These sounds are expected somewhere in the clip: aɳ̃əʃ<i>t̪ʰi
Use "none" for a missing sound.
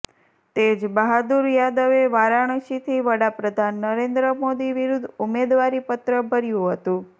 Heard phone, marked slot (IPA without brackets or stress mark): i